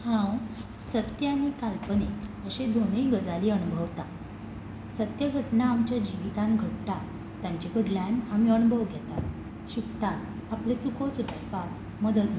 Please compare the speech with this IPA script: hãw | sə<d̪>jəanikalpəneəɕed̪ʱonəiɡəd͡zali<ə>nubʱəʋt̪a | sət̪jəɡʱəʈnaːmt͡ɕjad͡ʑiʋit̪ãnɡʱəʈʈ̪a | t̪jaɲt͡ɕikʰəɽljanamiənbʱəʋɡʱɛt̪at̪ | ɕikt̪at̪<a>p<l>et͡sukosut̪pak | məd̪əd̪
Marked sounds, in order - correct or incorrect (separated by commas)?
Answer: incorrect, correct, correct, correct